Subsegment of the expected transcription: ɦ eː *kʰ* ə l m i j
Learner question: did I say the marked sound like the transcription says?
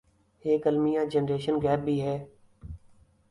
no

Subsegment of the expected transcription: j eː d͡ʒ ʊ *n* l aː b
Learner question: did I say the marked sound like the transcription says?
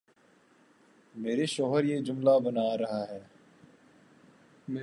no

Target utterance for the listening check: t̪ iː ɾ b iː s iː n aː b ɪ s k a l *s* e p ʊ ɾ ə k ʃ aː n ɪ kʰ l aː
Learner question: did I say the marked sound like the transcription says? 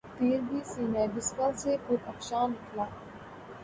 yes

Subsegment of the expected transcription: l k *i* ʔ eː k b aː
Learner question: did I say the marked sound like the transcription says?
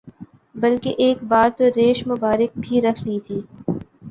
no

